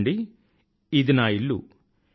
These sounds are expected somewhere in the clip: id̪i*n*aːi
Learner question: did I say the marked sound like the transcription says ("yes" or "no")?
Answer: yes